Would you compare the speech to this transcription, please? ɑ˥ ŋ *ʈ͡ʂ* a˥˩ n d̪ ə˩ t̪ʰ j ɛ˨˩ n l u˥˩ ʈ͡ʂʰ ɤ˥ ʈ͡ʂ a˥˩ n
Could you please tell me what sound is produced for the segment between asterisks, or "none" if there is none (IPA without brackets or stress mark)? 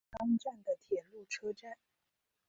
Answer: ʈ͡ʂ